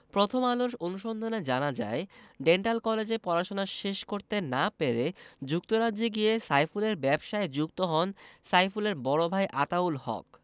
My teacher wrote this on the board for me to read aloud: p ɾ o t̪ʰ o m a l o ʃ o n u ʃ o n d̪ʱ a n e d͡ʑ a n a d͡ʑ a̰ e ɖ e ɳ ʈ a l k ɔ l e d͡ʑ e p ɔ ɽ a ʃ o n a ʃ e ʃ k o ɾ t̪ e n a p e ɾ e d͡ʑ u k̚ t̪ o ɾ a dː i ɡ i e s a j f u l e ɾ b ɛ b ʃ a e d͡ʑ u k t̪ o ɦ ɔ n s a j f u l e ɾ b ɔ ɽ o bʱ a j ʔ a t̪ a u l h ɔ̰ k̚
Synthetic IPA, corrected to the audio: p ɾ o t̪ʰ o m a l o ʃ o n u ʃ o n d̪ʱ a n e d͡ʑ a n a d͡ʑ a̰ e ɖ e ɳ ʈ a l k ɔ l e d͡ʑ e p ɔ ɾ a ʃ o n a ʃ e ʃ k o ɾ t̪ e n a p e ɾ e d͡ʑ u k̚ t̪ o ɾ a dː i ɡ i e s a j f u l e ɾ b ɛ b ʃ a e d͡ʑ u k t̪ o ɦ ɔ n s a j f u l e ɾ b ɔ ɽ o bʱ a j ʔ a t̪ a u l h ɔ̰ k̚